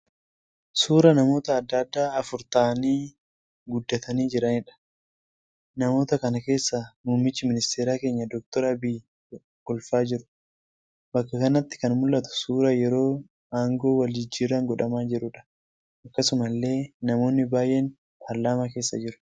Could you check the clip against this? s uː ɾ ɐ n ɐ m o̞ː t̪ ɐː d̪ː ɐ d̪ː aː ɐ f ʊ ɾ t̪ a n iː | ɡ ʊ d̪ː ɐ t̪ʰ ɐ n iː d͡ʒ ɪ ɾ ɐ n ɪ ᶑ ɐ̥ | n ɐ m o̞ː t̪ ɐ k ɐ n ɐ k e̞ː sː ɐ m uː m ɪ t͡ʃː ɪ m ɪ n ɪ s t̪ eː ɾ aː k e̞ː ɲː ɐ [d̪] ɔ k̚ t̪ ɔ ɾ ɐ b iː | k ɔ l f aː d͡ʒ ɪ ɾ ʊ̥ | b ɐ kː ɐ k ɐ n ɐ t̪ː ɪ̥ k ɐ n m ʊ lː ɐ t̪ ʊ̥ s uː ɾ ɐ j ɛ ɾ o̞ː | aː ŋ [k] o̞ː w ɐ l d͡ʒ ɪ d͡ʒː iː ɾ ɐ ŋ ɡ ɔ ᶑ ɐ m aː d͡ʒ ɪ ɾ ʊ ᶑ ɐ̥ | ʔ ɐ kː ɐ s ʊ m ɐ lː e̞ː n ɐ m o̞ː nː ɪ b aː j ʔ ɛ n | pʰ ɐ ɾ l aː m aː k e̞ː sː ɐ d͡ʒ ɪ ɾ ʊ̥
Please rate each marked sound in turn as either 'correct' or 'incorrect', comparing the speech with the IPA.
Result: correct, incorrect

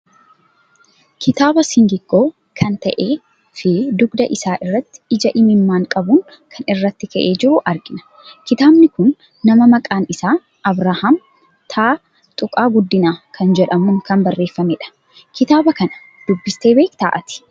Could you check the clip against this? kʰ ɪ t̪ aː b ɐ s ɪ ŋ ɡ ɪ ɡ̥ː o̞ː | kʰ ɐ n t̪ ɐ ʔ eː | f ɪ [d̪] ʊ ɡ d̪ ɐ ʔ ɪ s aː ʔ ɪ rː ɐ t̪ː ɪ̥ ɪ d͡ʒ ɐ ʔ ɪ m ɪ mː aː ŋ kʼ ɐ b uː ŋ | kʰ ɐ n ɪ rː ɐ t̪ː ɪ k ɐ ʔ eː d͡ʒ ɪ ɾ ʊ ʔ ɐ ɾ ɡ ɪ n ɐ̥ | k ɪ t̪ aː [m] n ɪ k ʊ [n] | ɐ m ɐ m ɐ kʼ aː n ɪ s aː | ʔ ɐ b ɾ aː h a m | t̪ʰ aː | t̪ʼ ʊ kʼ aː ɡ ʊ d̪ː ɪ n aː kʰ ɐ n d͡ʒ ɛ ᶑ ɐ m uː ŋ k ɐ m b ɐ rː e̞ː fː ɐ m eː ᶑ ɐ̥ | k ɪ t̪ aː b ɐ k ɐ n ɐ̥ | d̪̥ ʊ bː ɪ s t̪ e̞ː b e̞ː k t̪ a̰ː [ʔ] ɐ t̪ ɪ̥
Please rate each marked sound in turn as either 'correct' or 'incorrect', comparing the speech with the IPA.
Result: correct, incorrect, incorrect, correct

